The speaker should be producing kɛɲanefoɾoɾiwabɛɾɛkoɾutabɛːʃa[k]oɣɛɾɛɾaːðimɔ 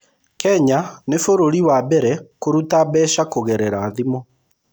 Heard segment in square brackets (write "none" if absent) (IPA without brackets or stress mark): k